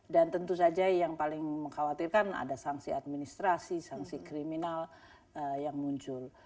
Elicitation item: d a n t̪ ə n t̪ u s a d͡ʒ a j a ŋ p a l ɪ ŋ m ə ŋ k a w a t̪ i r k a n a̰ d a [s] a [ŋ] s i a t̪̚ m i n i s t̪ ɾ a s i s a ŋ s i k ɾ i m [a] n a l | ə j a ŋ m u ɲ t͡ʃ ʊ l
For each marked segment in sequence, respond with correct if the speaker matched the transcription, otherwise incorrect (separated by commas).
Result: correct, correct, incorrect